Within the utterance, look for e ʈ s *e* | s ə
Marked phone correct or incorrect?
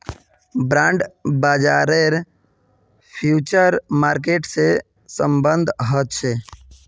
correct